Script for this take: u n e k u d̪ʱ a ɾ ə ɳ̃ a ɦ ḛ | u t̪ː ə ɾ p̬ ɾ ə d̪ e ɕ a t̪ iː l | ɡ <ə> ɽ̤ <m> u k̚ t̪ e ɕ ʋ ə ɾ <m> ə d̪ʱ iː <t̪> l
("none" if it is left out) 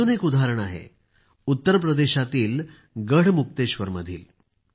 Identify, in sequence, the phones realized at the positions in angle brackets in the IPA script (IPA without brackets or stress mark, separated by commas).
ə, m, m, none